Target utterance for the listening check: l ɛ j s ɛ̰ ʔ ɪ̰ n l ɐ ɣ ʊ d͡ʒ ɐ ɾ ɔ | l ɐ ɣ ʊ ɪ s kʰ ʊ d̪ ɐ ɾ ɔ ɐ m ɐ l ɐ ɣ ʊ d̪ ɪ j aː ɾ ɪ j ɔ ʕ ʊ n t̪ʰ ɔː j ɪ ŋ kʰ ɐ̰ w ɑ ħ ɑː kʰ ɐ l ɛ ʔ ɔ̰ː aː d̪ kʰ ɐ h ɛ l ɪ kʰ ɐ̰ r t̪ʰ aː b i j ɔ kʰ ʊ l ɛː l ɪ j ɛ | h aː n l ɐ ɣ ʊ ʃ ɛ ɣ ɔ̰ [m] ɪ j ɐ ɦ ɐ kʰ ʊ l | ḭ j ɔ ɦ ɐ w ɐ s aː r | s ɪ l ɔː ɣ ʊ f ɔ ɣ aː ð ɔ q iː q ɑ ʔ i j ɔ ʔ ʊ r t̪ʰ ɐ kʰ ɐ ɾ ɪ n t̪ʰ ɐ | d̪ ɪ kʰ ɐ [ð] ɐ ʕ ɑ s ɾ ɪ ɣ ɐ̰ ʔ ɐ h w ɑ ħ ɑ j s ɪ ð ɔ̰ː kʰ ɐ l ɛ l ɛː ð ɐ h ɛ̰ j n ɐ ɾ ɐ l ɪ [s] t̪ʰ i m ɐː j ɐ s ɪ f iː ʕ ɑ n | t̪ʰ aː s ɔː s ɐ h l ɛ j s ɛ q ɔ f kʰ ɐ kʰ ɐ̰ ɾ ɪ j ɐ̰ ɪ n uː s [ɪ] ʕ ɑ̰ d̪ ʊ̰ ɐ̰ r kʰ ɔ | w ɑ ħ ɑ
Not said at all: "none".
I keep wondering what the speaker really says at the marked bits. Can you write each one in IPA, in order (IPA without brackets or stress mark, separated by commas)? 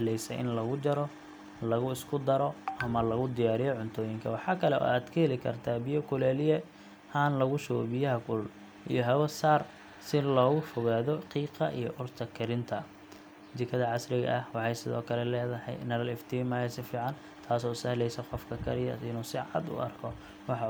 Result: b, ð, f, ɪ